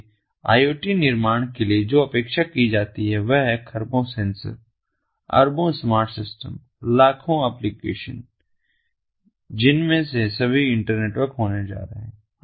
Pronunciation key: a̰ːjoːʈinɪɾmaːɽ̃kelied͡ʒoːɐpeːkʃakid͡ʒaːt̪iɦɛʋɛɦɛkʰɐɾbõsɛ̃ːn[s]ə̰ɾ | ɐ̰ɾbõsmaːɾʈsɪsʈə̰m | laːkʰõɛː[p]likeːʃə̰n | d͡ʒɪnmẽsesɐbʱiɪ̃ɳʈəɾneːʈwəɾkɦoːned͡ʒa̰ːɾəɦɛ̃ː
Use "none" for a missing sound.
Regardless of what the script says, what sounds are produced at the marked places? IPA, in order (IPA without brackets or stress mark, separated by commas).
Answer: s, p